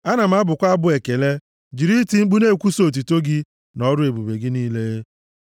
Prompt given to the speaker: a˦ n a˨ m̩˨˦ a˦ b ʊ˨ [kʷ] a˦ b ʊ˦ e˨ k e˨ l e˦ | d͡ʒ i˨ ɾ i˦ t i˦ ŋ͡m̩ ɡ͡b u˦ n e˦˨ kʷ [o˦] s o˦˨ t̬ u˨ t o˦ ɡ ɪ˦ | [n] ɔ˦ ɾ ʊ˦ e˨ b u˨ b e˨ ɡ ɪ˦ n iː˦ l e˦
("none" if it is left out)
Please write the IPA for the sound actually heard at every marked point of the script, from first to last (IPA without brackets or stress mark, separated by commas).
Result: kʷ, u˦, n